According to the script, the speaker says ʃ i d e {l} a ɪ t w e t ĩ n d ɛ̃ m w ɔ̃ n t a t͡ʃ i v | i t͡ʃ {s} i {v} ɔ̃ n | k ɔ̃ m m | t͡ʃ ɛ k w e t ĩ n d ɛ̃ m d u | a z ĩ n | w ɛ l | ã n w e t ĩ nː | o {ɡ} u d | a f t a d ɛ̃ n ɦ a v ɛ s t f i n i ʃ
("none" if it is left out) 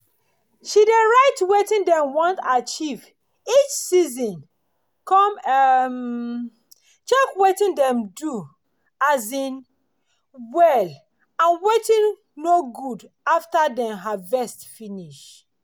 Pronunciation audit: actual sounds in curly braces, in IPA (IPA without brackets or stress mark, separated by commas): ɹ, s, z, ɡ